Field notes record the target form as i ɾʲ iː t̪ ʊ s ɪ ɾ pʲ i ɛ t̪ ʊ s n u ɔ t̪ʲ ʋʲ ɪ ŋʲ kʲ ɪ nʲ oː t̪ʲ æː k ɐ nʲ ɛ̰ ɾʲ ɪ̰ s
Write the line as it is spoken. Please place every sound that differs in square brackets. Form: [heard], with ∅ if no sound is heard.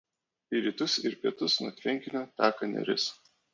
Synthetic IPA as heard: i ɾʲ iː t̪ ʊ s ɪ ɾ pʲ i ɛ t̪ ʊ s n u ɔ t̪ʲ ʋʲ ɪ ŋʲ kʲ ɪ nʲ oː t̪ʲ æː k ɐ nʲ ɛ̰ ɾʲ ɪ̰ s